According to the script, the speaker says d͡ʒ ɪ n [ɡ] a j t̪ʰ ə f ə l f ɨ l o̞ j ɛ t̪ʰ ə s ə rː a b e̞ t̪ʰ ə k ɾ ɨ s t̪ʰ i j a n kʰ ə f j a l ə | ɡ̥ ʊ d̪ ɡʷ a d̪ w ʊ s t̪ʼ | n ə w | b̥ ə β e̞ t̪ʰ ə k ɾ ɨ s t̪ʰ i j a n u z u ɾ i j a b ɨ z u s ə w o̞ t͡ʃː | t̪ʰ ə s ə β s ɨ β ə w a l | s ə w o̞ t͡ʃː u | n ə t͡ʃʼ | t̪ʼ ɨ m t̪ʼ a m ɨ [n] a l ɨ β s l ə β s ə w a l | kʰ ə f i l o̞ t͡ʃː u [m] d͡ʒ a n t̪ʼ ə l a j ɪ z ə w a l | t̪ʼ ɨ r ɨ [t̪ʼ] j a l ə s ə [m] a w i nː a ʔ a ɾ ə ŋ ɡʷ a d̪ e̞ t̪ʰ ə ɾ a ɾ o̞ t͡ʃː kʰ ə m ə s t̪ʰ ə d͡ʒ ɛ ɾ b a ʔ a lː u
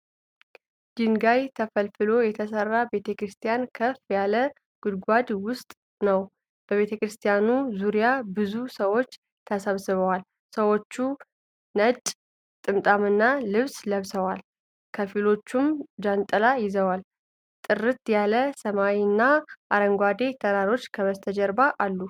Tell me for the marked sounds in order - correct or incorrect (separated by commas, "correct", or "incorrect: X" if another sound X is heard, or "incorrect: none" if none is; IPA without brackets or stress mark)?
correct, incorrect: nː, correct, incorrect: t̪, correct